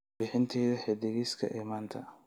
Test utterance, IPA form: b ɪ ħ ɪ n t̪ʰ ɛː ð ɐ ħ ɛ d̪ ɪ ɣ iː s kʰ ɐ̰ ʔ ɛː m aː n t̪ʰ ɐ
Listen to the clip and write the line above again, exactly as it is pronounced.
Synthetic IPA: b ɪ ħ ɪ n t̪ʰ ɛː ð ɐ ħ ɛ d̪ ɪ ɣ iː s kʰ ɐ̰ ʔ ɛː m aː n t̪ʰ ɐ